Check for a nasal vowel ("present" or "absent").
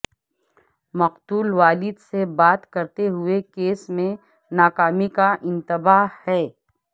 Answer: present